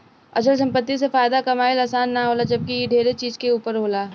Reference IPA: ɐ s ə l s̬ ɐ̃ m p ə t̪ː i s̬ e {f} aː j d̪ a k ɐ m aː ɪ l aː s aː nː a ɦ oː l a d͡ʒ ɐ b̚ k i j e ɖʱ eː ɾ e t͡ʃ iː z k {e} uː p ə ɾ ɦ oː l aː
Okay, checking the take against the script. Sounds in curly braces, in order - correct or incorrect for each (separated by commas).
correct, correct